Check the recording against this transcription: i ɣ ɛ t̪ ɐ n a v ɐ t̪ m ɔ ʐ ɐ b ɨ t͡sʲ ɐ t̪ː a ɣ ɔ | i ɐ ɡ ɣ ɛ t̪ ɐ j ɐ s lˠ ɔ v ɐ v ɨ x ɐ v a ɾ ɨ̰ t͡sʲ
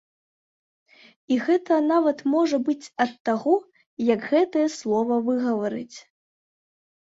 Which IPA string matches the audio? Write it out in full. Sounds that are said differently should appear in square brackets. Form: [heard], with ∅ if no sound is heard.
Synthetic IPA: i ɣ ɛ t̪ ɐ n a v ɐ t̪ m ɔ ʐ ɐ b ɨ t͡sʲ ɐ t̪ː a ɣ ɔ | [j] ɐ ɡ ɣ ɛ t̪ ɐ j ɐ s lˠ ɔ v ɐ v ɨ [ɣ] ɐ v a ɾ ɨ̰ t͡sʲ